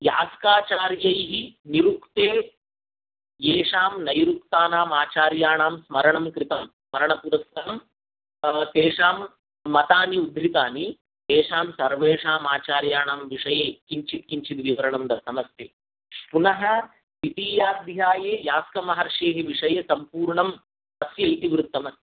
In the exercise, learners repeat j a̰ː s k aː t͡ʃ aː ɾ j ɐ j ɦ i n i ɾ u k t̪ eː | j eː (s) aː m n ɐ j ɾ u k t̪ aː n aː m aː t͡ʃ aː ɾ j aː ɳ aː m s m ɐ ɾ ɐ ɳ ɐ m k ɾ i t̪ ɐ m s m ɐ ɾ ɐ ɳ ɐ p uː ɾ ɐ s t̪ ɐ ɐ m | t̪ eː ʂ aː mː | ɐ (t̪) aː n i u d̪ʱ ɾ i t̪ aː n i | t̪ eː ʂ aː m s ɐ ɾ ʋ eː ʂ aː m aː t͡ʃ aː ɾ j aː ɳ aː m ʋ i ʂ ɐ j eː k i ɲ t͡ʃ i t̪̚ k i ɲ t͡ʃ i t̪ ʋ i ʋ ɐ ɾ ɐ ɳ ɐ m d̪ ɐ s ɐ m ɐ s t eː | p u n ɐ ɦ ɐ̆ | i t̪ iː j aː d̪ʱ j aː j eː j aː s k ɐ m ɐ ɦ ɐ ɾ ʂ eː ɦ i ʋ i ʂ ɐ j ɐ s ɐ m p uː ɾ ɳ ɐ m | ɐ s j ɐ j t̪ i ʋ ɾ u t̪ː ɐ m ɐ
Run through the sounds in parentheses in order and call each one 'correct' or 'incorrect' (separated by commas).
incorrect, correct